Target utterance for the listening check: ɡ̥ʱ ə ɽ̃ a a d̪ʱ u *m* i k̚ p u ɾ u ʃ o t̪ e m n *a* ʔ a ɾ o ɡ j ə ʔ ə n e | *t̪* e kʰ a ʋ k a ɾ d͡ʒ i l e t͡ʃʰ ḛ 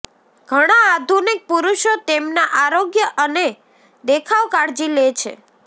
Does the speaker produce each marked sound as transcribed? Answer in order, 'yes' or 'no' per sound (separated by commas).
no, yes, no